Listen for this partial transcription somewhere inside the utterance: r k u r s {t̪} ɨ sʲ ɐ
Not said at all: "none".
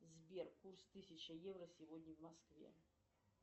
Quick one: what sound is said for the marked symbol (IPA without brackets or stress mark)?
t̪